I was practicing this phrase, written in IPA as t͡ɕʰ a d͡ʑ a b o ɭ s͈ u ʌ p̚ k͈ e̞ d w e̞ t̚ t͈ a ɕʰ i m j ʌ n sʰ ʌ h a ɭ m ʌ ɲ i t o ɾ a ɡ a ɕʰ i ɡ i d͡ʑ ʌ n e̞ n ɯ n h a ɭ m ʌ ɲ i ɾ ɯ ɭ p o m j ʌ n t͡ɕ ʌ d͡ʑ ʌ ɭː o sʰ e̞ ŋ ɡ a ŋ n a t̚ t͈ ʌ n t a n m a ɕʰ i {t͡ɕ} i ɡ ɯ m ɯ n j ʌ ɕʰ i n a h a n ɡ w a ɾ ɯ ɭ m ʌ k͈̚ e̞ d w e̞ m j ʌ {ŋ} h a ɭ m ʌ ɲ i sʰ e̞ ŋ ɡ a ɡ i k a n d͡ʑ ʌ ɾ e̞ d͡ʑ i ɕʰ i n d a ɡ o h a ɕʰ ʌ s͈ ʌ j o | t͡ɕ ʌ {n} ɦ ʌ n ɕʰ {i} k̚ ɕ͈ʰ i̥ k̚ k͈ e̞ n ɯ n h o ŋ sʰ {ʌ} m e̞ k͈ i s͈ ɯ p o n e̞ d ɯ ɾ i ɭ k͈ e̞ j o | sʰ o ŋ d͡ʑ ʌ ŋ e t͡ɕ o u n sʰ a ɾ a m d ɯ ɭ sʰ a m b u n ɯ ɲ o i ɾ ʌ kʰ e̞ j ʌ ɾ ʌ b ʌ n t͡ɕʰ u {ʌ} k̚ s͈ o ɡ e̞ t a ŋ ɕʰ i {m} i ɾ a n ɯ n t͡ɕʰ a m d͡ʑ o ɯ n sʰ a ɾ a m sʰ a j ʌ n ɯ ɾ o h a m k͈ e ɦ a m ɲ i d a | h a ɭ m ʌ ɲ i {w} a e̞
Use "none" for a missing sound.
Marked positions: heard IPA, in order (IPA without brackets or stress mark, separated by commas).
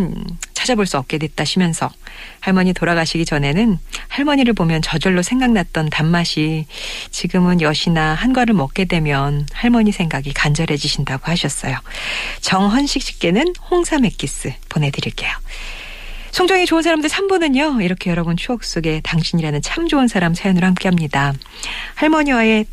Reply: t͡ɕ, n, ŋ, i, a, ʌ, ɲ, w